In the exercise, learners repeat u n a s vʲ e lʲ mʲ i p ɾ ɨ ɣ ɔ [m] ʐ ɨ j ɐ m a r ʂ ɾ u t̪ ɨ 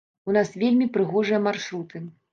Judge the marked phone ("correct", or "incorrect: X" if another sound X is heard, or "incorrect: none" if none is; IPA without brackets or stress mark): incorrect: none